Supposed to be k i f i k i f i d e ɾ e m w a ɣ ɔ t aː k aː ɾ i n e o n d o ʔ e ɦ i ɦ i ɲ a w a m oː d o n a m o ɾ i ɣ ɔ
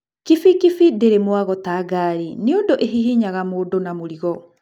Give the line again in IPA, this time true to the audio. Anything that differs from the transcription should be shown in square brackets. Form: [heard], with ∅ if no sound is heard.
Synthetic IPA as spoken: k i f i k i f i d e ɾ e m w a ɣ ɔ t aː [ɡ] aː ɾ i n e o n d o ʔ e ɦ i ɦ i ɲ a [ɣ] a m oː d o n a m o ɾ i ɣ ɔ